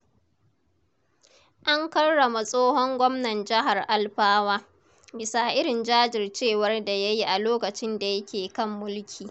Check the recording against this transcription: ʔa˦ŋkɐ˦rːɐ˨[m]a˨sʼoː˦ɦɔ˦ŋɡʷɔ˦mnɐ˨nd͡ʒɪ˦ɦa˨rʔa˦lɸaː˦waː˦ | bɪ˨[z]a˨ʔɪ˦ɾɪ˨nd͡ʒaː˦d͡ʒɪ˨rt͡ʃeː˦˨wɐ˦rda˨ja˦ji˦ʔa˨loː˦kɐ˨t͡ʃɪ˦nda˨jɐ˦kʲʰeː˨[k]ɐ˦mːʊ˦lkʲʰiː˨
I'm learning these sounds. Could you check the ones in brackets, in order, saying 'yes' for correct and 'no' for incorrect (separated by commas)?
yes, no, yes